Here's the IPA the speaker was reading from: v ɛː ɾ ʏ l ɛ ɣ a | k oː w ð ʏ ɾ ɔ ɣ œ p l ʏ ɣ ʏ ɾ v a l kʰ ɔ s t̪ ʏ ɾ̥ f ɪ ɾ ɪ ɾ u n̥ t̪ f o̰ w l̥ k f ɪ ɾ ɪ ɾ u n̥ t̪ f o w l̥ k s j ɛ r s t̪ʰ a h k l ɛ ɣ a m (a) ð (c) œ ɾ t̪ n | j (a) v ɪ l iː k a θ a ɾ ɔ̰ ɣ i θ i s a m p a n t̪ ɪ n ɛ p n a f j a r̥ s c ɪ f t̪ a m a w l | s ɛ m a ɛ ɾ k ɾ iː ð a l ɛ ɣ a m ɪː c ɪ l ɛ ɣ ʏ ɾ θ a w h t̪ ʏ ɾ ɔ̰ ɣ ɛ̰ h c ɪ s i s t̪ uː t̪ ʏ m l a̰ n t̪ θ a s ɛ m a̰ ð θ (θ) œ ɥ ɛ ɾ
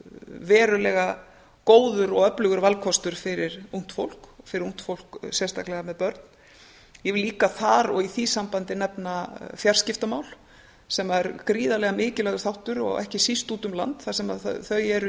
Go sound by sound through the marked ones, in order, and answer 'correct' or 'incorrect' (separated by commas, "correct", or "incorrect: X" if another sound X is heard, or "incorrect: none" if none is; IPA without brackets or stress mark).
incorrect: ɛ, incorrect: p, incorrect: ɛ, correct